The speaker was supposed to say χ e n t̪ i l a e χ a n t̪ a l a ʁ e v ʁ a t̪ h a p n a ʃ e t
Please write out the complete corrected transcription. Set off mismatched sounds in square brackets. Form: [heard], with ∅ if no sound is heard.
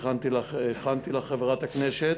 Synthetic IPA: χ [a] n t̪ i l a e χ a n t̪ [i] l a [χ] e v ʁ a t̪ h a [k] n [e] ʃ e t